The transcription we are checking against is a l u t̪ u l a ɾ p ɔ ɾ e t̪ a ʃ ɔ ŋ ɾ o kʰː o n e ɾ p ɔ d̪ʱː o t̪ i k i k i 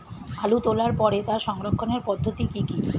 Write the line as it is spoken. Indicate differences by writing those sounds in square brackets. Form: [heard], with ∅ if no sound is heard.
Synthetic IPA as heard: a l u t̪ [o] l a ɾ p ɔ ɾ e t̪ a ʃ ɔ ŋ ɾ o kʰː o n e ɾ p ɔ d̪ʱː o t̪ i k i k i